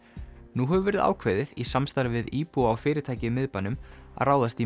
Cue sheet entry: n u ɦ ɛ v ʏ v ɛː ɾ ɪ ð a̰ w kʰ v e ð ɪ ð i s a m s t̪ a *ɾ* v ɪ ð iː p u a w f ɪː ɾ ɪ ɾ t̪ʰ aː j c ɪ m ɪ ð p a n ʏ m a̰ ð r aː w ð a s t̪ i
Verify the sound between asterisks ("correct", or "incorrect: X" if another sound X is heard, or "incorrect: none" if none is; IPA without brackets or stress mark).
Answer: correct